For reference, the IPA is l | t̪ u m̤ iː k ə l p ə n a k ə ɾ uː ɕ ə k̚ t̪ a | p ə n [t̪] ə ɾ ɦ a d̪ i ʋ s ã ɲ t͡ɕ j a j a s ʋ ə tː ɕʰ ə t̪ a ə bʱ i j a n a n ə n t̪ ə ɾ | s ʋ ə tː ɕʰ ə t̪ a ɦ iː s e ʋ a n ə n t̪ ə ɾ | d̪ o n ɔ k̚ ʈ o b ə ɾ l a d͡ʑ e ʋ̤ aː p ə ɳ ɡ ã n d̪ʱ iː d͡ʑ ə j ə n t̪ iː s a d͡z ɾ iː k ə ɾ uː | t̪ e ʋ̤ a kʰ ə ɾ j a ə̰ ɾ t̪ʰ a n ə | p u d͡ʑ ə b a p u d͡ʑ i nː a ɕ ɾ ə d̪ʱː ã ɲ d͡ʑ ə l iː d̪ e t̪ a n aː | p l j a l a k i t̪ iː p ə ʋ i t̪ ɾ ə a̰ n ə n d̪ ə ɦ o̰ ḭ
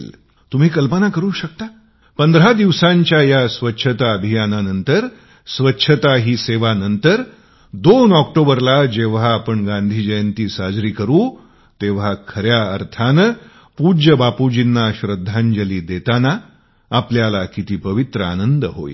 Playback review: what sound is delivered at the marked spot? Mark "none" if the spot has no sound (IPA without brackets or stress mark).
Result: d̪